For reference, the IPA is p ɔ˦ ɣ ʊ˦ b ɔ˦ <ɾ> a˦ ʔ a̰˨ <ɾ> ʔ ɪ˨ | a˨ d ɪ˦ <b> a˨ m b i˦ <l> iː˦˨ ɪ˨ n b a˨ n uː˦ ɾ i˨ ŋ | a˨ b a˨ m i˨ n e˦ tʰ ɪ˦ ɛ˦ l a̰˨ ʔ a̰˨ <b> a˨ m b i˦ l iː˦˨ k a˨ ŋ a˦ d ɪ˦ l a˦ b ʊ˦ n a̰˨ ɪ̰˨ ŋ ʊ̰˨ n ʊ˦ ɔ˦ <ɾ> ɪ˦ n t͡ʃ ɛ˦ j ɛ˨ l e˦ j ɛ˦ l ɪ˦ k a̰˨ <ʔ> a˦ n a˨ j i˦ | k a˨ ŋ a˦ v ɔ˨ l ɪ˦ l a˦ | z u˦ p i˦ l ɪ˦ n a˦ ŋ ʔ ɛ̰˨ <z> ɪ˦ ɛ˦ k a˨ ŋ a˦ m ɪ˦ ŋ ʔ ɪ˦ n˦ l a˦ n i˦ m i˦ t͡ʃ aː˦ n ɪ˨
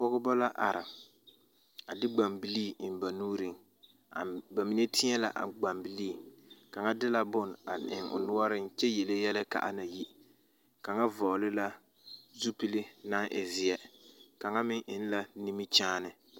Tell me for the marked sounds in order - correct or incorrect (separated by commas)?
incorrect, correct, incorrect, correct, incorrect, correct, correct, correct